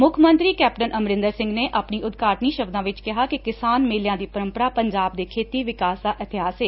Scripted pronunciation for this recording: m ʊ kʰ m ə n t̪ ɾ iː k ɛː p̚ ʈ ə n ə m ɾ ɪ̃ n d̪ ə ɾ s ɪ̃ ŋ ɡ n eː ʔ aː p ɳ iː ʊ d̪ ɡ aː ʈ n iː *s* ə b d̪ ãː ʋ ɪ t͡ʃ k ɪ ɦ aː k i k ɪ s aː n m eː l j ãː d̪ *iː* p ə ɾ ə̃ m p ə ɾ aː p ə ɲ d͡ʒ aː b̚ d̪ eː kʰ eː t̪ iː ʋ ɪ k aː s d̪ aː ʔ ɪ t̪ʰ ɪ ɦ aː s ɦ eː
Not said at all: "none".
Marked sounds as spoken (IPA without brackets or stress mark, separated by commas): ʃ, iː